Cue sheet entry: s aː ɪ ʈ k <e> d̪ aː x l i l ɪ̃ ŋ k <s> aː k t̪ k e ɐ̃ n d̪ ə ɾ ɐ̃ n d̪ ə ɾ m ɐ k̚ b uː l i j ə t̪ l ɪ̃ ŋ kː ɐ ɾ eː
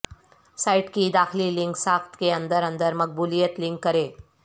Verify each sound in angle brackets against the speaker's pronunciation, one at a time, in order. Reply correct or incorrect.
incorrect: i, correct

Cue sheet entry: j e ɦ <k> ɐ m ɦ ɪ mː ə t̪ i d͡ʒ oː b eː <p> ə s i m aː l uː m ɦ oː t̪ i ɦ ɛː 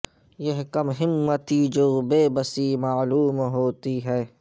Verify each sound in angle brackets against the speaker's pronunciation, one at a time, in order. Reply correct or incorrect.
correct, incorrect: b

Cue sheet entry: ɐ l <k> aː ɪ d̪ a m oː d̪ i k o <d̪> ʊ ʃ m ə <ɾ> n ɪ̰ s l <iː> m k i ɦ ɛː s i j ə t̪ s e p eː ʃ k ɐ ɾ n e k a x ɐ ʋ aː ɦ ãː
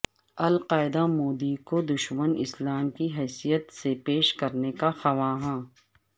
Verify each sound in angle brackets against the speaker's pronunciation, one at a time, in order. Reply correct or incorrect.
incorrect: q, correct, incorrect: none, incorrect: aː

